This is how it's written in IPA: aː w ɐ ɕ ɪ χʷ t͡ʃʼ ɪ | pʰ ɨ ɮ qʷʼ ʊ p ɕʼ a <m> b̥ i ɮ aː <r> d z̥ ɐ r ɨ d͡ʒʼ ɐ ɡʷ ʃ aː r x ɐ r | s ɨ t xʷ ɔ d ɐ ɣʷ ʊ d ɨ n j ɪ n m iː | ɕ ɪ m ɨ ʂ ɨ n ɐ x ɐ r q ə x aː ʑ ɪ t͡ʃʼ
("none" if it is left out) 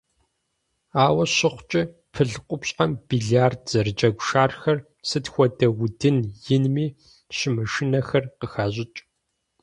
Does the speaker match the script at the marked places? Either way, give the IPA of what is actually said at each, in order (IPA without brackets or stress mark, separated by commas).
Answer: m, r